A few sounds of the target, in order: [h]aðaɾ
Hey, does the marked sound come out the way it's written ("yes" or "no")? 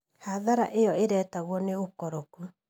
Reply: yes